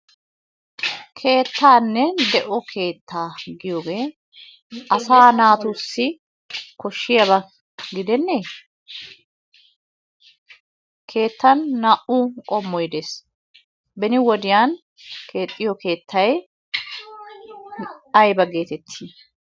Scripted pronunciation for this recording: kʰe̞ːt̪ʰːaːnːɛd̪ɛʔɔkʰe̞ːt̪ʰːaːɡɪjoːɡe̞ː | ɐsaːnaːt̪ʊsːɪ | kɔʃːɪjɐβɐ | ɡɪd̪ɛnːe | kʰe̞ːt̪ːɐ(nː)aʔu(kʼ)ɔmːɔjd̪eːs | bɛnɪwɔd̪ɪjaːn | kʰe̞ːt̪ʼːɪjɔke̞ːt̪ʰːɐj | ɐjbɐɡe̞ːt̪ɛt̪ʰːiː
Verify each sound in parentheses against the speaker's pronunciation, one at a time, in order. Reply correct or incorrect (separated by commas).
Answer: correct, correct